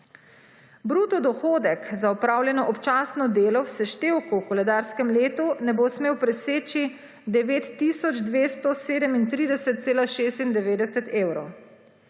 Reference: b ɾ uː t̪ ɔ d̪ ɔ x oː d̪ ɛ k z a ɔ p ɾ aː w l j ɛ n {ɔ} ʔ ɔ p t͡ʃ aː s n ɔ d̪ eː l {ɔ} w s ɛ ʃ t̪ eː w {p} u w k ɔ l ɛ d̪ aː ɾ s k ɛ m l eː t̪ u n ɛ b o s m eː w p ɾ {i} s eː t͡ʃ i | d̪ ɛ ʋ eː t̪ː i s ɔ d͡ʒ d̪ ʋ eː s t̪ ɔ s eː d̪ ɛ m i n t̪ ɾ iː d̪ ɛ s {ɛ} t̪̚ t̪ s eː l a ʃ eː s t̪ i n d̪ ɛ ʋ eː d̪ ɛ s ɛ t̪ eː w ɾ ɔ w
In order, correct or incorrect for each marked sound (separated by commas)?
correct, correct, incorrect, incorrect, correct